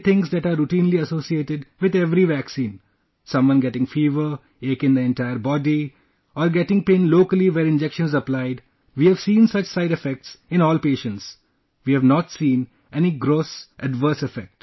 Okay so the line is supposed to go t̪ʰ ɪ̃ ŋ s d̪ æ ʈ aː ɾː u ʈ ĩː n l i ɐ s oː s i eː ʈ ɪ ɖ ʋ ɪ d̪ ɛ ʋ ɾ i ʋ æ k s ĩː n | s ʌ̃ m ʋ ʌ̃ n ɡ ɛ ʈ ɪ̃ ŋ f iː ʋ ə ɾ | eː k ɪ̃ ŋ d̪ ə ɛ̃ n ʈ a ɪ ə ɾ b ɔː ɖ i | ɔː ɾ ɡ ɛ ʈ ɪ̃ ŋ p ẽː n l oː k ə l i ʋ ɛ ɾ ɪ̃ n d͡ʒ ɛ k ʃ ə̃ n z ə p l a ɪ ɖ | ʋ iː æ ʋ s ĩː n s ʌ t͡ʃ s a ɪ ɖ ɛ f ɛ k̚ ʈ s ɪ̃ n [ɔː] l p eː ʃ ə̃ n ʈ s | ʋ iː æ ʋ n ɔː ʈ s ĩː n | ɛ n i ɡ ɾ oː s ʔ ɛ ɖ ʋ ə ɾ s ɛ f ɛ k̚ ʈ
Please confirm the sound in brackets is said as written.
yes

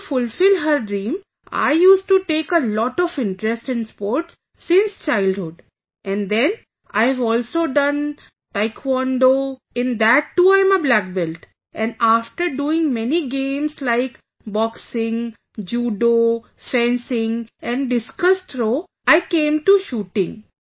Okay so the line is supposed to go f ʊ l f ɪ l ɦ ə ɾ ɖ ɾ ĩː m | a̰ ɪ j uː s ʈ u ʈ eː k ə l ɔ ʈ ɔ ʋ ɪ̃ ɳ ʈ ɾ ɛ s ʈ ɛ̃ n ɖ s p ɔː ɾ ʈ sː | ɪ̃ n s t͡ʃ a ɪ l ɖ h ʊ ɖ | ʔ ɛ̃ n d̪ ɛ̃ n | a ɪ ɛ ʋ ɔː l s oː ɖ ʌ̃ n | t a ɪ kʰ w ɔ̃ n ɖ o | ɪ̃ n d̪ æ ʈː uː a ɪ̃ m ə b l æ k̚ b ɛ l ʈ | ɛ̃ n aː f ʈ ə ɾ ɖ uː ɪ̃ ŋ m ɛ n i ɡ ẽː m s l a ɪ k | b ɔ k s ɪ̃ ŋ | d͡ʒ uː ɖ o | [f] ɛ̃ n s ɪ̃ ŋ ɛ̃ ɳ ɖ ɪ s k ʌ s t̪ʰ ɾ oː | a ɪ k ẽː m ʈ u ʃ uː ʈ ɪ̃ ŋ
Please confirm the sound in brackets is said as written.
yes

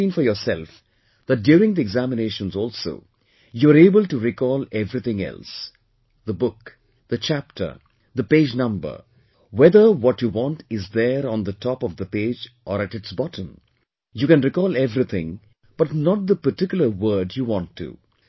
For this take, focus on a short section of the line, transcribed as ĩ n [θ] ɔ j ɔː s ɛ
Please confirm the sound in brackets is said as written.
no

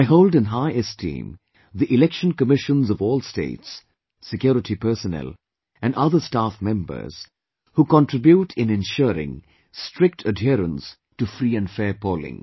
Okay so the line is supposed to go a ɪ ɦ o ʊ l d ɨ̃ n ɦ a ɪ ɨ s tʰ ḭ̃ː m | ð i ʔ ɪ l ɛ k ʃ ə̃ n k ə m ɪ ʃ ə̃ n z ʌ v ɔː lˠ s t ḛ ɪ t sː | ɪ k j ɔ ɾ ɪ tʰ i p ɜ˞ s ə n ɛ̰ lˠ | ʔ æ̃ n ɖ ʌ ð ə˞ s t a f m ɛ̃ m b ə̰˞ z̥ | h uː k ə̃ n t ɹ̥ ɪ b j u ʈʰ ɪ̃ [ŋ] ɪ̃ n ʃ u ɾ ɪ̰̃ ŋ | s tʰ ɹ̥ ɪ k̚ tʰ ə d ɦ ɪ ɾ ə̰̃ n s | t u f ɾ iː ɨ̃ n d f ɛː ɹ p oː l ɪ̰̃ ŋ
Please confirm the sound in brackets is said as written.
no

